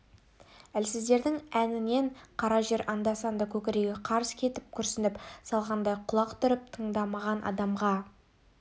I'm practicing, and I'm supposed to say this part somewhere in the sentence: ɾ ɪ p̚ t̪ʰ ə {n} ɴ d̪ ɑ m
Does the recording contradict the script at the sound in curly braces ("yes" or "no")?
yes